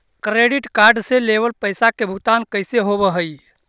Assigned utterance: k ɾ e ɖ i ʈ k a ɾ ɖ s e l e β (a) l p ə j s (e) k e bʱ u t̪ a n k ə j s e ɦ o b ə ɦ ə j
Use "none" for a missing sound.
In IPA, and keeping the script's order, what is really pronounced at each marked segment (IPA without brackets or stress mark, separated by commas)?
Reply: ə, a